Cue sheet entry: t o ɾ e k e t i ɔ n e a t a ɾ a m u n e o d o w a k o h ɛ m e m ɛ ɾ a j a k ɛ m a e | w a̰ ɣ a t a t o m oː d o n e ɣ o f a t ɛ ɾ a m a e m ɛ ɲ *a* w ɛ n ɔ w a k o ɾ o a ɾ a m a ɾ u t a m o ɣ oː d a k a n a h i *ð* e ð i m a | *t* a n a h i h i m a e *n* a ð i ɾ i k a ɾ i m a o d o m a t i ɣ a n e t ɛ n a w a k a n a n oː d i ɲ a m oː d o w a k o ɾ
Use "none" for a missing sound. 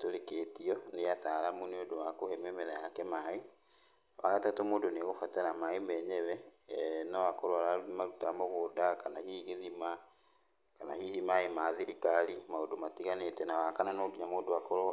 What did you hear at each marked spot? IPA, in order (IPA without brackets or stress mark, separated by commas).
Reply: ɛ, ɣ, k, m